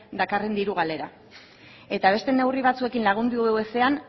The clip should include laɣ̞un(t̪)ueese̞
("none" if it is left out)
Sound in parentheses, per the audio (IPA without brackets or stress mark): d̪